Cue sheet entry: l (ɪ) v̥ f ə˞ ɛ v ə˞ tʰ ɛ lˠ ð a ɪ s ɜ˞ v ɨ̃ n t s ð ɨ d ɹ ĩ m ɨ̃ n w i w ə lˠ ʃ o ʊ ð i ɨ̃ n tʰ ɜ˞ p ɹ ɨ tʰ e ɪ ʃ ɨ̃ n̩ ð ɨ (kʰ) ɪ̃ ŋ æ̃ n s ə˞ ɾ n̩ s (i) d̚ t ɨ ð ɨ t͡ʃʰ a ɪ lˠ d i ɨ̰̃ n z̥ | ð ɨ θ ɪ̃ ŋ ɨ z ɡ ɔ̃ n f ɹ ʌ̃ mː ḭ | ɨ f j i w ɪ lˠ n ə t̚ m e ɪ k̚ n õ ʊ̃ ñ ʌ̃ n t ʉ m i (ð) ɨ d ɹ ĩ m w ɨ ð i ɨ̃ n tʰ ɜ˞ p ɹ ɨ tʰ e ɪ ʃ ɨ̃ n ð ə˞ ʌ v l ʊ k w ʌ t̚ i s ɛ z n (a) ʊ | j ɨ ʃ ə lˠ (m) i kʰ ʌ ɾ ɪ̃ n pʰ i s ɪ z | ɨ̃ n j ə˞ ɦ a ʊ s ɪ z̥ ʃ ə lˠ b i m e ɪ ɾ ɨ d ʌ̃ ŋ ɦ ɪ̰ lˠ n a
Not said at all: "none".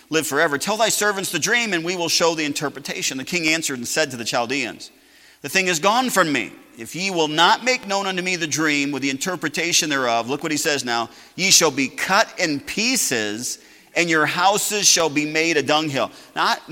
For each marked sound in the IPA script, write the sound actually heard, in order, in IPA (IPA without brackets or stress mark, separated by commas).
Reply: ɪ, kʰ, ɛ, ð, a, b